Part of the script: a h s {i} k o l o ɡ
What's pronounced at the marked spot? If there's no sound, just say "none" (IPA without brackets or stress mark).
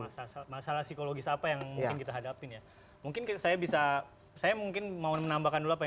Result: i